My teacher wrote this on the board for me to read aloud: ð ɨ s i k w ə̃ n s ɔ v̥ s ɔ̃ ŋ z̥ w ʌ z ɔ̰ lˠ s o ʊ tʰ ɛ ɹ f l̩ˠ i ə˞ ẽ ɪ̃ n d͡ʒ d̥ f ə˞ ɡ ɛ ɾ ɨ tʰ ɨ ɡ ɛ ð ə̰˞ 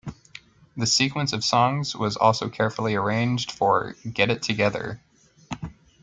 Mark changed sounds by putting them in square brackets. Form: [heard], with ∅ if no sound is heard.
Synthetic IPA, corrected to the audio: ð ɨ s i k w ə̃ n s [ʌ] v̥ s ɔ̃ ŋ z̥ w ʌ z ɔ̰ lˠ s o ʊ [kʰ] ɛ ɹ f l̩ˠ i ə˞ ẽ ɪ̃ n d͡ʒ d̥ f ə˞ ɡ ɛ ɾ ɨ tʰ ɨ ɡ ɛ ð ə̰˞